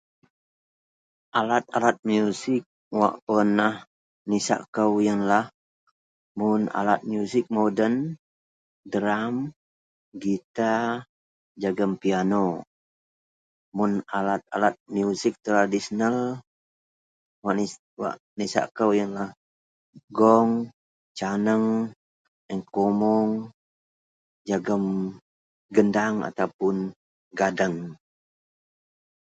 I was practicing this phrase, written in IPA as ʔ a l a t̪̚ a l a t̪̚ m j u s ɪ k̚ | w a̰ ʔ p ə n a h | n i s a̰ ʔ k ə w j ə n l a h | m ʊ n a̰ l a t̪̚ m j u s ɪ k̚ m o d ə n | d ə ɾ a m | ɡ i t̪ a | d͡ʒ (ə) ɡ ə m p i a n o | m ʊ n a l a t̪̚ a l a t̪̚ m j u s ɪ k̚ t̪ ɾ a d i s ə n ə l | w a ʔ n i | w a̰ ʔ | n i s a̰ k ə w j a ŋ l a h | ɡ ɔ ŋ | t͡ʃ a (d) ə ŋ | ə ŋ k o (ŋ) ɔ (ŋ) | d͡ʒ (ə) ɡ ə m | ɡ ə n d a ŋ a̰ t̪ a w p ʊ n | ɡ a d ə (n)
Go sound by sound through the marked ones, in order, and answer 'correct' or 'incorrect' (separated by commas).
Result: incorrect, incorrect, incorrect, correct, incorrect, incorrect